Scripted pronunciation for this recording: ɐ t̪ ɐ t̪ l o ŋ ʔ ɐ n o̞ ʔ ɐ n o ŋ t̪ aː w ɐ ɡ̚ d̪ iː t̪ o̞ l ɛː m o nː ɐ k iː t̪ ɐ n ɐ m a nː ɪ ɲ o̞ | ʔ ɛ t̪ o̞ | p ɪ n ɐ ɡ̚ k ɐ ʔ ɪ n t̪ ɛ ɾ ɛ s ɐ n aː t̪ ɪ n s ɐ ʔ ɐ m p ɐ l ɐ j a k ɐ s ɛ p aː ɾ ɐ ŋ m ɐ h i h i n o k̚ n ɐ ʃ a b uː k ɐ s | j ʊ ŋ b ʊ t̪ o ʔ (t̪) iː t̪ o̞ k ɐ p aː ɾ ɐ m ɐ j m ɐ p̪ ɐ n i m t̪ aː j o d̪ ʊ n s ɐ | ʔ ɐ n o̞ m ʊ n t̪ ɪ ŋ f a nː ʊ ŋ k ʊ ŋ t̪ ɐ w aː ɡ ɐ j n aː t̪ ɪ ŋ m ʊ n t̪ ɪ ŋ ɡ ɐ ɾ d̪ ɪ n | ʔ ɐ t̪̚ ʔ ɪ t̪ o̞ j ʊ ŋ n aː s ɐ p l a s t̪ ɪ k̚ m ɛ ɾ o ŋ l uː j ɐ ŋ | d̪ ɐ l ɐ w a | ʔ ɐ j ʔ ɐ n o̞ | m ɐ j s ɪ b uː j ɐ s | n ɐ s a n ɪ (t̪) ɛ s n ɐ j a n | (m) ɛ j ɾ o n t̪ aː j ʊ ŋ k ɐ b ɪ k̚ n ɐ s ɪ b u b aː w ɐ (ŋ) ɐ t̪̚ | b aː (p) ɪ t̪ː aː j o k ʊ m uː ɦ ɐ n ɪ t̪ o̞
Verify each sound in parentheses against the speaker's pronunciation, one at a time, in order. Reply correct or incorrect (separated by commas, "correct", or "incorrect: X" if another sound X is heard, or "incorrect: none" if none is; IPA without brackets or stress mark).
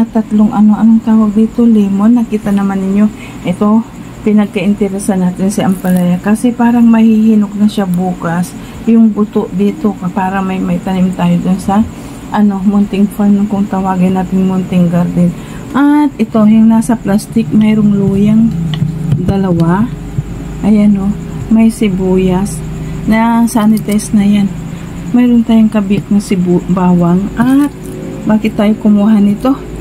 incorrect: d̪, correct, correct, correct, incorrect: k